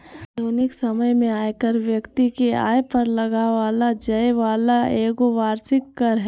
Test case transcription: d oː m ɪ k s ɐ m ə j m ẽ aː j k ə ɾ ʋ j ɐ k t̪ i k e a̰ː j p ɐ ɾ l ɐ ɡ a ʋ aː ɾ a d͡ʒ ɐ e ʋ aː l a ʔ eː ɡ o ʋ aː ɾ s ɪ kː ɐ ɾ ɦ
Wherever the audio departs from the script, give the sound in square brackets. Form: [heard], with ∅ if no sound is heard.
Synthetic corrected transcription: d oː [n] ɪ k s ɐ m ə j m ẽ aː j k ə ɾ ʋ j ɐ k t̪ i k e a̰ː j p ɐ ɾ l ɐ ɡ a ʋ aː [l] a d͡ʒ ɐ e ʋ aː l a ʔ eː ɡ o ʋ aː ɾ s ɪ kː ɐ ɾ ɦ